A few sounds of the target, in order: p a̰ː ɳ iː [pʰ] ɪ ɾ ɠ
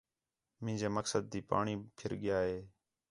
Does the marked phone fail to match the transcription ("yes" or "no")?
no